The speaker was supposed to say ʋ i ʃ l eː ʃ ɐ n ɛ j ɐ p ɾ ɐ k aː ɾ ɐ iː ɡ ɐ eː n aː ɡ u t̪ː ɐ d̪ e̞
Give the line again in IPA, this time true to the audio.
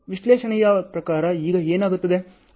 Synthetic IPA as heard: ʋ i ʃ l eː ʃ ɐ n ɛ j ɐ p ɾ ɐ k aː ɾ ɐ iː ɡ ɐ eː n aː ɡ u t̪ː ɐ d̪ e̞